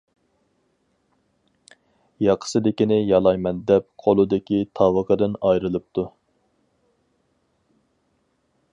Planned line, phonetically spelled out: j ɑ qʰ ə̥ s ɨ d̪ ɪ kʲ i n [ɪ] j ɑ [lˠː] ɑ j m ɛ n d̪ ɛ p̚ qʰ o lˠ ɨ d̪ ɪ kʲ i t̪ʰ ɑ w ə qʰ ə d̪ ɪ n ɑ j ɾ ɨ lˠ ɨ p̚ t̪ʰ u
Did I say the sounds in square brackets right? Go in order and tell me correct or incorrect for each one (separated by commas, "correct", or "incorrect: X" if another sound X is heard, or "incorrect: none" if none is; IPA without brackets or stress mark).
correct, incorrect: lˠ